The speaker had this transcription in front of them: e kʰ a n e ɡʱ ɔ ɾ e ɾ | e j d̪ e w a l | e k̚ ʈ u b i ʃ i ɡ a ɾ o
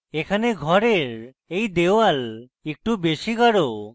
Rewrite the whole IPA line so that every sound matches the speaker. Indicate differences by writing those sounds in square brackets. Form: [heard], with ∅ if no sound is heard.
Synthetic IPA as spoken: e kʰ a n e ɡʱ ɔ ɾ e ɾ | e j d̪ e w a l | e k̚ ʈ u b [e] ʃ i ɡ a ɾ o